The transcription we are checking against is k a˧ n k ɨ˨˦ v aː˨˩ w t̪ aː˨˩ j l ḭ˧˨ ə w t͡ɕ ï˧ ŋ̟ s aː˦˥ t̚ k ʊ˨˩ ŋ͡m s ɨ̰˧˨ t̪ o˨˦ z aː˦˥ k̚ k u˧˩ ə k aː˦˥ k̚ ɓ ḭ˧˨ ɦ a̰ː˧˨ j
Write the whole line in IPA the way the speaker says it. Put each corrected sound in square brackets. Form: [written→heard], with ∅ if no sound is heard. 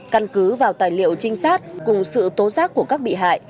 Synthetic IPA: k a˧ n k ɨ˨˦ v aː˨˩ w t̪ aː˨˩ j l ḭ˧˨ ə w t͡ɕ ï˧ ŋ̟ s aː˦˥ t̚ k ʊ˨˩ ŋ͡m s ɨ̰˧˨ t̪ o˨˦ z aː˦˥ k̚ k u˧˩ ə k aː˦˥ k̚ ɓ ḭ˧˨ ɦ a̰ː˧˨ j